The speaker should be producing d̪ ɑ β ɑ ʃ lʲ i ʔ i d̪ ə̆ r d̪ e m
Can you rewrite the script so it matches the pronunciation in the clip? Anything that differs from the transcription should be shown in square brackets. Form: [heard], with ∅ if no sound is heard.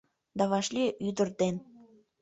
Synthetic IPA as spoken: d̪ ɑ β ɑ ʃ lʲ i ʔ [y] d̪ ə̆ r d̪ e [n]

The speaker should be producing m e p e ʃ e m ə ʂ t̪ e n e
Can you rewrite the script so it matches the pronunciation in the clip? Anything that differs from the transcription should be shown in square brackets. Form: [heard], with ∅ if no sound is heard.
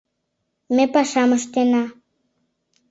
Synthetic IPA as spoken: m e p [a] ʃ [a] m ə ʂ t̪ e n [a]

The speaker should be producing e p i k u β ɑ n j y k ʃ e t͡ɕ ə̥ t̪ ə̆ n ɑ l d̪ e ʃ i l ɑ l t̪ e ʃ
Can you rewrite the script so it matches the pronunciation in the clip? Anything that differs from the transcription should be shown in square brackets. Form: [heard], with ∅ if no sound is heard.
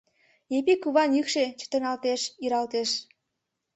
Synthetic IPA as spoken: e p i k u β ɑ n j y k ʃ e t͡ɕ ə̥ t̪ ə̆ n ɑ l [t̪] e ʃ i [ɾ] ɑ l t̪ e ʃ

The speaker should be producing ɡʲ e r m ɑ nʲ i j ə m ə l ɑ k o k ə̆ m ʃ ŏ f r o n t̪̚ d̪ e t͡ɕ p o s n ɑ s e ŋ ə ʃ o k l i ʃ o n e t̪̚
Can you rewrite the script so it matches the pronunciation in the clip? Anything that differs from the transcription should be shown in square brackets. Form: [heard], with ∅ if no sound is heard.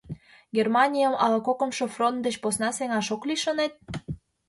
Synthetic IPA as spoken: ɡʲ e r m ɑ nʲ i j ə m [ɑ] l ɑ k o k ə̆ m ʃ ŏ f r o n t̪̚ d̪ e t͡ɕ p o s n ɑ s e ŋ [ɑ] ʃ o k l i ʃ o n e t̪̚

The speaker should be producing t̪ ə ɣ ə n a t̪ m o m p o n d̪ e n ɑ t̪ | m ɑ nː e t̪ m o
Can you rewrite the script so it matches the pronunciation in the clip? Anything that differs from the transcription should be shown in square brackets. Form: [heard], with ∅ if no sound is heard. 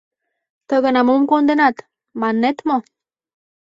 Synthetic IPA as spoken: t̪ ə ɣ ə n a [∅] m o m [k] o n d̪ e n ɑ t̪ | m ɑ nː e t̪ m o

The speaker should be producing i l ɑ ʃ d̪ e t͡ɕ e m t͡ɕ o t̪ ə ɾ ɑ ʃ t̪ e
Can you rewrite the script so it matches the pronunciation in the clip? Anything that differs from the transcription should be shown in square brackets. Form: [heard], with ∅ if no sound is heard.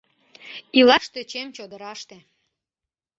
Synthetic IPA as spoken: i l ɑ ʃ [t̪] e t͡ɕ e m t͡ɕ o [d̪] ə ɾ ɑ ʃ t̪ e

